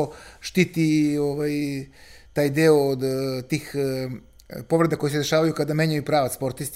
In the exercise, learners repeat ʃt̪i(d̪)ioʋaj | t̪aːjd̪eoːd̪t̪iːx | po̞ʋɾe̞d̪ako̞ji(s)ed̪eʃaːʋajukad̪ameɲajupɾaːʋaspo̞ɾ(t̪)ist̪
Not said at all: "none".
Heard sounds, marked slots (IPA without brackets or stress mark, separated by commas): t̪, s, t̪